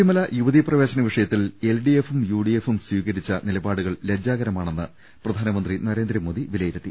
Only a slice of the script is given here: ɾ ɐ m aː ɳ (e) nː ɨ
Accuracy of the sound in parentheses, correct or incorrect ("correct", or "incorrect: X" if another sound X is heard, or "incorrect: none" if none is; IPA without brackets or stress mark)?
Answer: correct